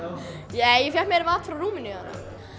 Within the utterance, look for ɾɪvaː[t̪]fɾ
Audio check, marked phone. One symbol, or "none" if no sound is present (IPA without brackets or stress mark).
t̪